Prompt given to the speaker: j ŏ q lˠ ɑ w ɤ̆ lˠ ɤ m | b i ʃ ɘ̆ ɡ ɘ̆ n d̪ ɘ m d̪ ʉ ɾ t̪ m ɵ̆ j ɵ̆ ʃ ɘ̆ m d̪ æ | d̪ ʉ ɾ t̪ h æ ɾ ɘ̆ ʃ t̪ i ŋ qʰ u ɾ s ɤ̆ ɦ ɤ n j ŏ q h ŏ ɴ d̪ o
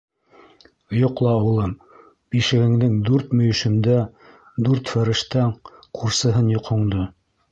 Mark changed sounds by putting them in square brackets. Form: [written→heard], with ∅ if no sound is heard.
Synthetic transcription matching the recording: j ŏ q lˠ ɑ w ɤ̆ lˠ ɤ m | b i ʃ ɘ̆ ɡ ɘ̆ [n→ŋ] d̪ ɘ [m→ŋ] d̪ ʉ ɾ t̪ m ɵ̆ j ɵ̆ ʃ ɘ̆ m d̪ æ | d̪ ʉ ɾ t̪ [h→f] æ ɾ ɘ̆ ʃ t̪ [i→æ] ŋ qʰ u ɾ s ɤ̆ ɦ ɤ n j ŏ q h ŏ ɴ d̪ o

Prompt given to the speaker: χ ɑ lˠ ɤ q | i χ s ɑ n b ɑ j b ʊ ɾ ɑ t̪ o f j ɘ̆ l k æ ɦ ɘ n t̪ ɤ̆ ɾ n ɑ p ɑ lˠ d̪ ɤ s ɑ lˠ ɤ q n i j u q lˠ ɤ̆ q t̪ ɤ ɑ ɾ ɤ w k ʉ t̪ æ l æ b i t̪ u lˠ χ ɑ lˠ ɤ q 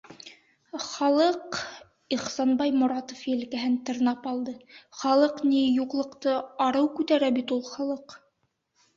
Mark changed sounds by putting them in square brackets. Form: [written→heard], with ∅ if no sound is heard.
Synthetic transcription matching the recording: χ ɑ lˠ ɤ q | i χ s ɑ n b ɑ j [b→m] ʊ ɾ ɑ t̪ o f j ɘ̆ l k æ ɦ ɘ n t̪ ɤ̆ ɾ n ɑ p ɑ lˠ d̪ ɤ [s→χ] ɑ lˠ ɤ q n i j u q lˠ ɤ̆ q t̪ ɤ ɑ ɾ ɤ w k ʉ t̪ æ [l→ɾ] æ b i t̪ u lˠ χ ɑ lˠ ɤ q

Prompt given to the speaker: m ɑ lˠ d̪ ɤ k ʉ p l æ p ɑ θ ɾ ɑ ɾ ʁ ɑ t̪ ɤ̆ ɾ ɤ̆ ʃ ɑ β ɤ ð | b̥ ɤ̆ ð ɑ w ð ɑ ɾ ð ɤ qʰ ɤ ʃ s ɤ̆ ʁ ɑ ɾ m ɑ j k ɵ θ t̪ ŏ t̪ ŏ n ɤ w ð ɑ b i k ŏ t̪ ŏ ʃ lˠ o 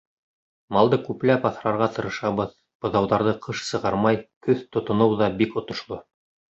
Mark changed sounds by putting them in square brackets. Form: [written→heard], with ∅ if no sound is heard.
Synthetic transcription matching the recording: m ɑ lˠ d̪ ɤ k ʉ p l æ p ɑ θ ɾ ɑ ɾ ʁ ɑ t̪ ɤ̆ ɾ ɤ̆ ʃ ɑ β ɤ ð | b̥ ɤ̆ ð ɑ w ð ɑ ɾ ð ɤ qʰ ɤ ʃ s ɤ̆ ʁ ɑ ɾ m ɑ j k ɵ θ t̪ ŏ t̪ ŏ n ɤ w ð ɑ b i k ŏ t̪ ŏ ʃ lˠ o

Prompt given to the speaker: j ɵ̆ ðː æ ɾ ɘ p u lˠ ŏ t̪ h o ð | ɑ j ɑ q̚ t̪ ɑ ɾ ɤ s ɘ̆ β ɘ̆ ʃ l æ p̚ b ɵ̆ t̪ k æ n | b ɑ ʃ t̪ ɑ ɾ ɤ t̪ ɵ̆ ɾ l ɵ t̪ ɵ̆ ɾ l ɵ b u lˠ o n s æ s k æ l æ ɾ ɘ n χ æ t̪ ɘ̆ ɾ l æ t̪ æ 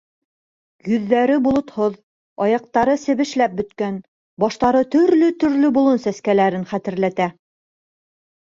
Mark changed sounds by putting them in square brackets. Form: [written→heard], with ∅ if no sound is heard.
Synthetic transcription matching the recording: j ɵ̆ ðː æ ɾ ɘ [p→b] u lˠ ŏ t̪ h o ð | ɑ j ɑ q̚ t̪ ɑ ɾ ɤ s ɘ̆ β ɘ̆ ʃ l æ p̚ b ɵ̆ t̪ k æ n | b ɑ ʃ t̪ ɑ ɾ ɤ t̪ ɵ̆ ɾ l ɵ t̪ ɵ̆ ɾ l ɵ b u lˠ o n s æ s k æ l æ ɾ ɘ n χ æ t̪ ɘ̆ ɾ l æ t̪ æ

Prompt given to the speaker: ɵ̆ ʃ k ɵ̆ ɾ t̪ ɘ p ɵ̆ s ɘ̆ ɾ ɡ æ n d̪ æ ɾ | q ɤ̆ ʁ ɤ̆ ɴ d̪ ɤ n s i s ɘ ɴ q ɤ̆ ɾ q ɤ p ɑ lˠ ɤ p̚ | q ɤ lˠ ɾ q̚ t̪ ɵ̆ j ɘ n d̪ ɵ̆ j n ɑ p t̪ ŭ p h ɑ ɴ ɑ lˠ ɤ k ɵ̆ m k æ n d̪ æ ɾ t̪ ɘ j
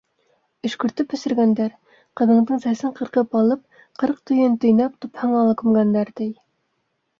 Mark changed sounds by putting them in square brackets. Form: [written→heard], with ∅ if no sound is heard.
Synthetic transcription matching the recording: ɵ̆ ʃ k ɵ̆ ɾ t̪ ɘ p ɵ̆ s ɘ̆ ɾ ɡ æ n d̪ æ ɾ | q ɤ̆ [ʁ→ð] ɤ̆ ɴ d̪ ɤ [n→ɴ] s [i→æ] s ɘ ɴ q ɤ̆ ɾ q ɤ p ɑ lˠ ɤ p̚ | q ɤ [lˠ→∅] ɾ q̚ t̪ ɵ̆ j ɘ n [d̪→t̪] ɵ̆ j n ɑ p t̪ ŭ p h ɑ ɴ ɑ lˠ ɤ k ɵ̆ m [k→ɡ] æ n d̪ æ ɾ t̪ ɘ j

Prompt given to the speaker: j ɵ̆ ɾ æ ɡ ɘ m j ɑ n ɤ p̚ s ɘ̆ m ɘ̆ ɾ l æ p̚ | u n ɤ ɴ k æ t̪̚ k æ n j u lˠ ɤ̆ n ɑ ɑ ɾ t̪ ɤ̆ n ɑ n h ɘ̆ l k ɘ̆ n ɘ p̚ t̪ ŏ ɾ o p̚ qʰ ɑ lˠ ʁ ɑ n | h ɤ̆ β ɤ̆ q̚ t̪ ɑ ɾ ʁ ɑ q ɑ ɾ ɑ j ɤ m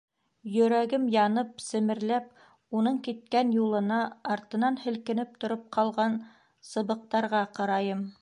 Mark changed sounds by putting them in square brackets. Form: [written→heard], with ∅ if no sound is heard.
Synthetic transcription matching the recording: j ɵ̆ ɾ æ ɡ ɘ m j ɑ n ɤ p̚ s ɘ̆ m ɘ̆ ɾ l æ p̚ | u n ɤ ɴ k [æ→i] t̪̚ k æ n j u lˠ ɤ̆ n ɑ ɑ ɾ t̪ ɤ̆ n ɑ n h ɘ̆ l k ɘ̆ n ɘ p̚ t̪ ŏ ɾ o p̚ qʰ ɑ lˠ ʁ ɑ n | [h→s] ɤ̆ β ɤ̆ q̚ t̪ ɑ ɾ ʁ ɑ q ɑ ɾ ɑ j ɤ m

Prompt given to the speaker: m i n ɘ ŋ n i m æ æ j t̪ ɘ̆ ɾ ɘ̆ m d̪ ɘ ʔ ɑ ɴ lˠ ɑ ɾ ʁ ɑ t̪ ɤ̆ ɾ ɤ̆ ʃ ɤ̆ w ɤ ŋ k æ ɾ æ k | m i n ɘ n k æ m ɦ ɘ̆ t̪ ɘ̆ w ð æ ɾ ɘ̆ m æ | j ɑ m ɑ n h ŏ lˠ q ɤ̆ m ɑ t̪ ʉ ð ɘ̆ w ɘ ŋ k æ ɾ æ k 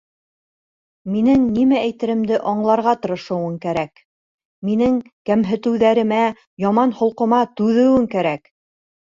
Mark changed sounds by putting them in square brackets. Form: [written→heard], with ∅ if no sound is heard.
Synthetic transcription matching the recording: m i n ɘ ŋ n i m æ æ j t̪ ɘ̆ ɾ ɘ̆ m d̪ ɘ ʔ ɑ ɴ lˠ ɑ ɾ ʁ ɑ t̪ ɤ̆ ɾ ɤ̆ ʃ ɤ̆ w ɤ ŋ k æ ɾ æ k | m i n ɘ [n→ŋ] k æ m ɦ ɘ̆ t̪ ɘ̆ w ð æ ɾ ɘ̆ m æ | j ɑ m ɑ n h ŏ lˠ q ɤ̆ m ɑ t̪ ʉ ð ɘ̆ w ɘ ŋ k æ ɾ æ k

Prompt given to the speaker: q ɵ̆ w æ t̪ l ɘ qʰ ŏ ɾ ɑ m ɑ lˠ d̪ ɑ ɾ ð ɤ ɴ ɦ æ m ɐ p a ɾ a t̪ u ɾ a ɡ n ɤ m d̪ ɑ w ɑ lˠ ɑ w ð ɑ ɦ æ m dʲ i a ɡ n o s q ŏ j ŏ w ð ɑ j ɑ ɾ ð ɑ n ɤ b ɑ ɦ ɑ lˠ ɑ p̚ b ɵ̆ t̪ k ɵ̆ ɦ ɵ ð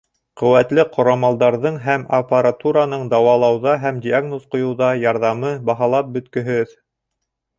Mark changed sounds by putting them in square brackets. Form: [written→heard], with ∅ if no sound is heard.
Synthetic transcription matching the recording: q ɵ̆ w æ t̪ l ɘ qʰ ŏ ɾ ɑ m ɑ lˠ d̪ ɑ ɾ ð ɤ ɴ ɦ æ m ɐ p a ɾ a t̪ u ɾ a [ɡ→∅] n ɤ [m→ɴ] d̪ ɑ w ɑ lˠ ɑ w ð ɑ ɦ æ m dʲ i a ɡ n o s q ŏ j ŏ w ð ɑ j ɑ ɾ ð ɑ [n→m] ɤ b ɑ ɦ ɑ lˠ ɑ p̚ b ɵ̆ t̪ k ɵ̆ ɦ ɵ ð

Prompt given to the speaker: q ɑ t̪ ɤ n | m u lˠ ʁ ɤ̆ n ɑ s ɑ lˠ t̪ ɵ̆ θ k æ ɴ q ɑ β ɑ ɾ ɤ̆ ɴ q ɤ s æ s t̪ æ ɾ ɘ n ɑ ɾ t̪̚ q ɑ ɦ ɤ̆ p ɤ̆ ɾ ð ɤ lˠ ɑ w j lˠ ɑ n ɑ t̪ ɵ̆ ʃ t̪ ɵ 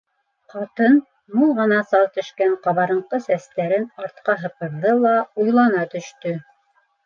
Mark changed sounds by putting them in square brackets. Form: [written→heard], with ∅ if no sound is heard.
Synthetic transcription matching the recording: q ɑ t̪ ɤ n | m u lˠ ʁ ɤ̆ n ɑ s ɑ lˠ t̪ ɵ̆ [θ→ʃ] k æ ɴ q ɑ β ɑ ɾ ɤ̆ ɴ q ɤ s æ s t̪ æ ɾ ɘ n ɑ ɾ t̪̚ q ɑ ɦ ɤ̆ p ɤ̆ ɾ ð ɤ lˠ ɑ [w→u] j lˠ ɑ n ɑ t̪ ɵ̆ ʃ t̪ ɵ

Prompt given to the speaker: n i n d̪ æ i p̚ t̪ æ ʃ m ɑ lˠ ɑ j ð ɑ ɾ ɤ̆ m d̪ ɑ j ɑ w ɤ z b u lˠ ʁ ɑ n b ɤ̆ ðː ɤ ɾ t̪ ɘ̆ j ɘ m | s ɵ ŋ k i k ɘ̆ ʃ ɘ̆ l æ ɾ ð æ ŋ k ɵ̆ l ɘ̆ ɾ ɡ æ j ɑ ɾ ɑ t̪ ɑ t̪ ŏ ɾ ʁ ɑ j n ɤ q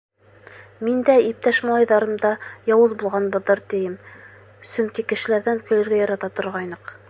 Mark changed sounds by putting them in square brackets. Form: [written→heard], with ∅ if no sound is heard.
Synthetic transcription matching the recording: [n→m] i n d̪ æ i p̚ t̪ æ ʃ m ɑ lˠ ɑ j ð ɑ ɾ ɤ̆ m d̪ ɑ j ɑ w ɤ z b u lˠ ʁ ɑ n b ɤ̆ ðː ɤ ɾ t̪ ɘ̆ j ɘ m | s ɵ ŋ k i k ɘ̆ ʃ ɘ̆ l æ ɾ ð æ ŋ k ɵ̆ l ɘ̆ ɾ ɡ æ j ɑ ɾ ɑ t̪ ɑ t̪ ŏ ɾ ʁ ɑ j n ɤ q

